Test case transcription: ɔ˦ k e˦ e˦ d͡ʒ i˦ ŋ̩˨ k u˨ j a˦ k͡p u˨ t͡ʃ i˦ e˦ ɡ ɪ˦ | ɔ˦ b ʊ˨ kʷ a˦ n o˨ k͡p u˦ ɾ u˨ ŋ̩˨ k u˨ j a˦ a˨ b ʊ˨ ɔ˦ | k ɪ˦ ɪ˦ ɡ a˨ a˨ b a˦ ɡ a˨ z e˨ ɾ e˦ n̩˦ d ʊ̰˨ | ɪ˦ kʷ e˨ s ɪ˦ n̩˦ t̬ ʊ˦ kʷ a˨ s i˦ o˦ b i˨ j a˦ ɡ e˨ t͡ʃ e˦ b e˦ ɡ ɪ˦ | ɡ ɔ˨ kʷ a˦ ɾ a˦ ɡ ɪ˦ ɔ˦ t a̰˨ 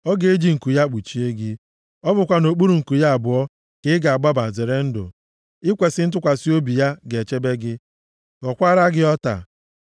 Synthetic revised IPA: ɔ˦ ɡ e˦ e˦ d͡ʒ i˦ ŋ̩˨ k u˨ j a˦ k͡p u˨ t͡ʃ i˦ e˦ ɡ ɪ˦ | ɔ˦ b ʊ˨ kʷ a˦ n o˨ k͡p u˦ ɾ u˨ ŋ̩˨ k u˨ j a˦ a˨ b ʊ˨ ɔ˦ | k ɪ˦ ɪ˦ ɡ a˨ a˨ ɡ͡b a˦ b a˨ z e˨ ɾ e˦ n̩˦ d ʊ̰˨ | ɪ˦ kʷ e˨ s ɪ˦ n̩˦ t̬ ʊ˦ kʷ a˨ s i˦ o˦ b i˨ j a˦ ɡ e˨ t͡ʃ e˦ b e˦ ɡ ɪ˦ | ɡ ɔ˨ kʷ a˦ ɾ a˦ ɡ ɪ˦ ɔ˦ t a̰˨